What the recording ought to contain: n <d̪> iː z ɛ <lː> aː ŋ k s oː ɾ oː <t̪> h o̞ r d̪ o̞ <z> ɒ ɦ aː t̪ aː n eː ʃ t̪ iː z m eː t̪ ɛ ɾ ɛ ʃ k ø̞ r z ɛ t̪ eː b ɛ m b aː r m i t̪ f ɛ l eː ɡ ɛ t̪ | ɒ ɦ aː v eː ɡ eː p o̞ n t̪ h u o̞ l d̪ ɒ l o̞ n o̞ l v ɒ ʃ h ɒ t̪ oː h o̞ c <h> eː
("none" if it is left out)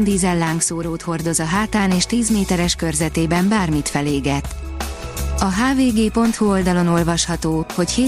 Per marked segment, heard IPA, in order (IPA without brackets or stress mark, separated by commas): d̪, lː, t̪, z, h